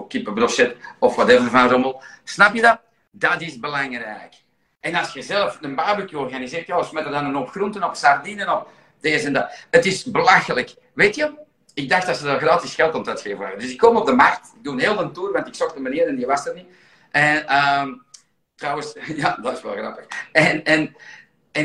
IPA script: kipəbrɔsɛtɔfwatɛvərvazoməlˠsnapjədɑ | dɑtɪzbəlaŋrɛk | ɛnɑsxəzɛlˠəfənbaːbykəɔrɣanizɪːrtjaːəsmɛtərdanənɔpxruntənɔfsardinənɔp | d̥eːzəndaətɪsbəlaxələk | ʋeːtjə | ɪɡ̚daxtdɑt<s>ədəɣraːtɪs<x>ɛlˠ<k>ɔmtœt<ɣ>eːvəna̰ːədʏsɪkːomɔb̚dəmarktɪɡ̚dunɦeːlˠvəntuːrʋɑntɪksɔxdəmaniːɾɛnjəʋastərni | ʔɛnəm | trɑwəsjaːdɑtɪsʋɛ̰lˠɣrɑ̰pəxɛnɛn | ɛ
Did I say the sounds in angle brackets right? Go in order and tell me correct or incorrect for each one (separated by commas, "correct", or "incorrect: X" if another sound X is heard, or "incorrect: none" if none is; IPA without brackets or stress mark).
correct, correct, incorrect: t, incorrect: x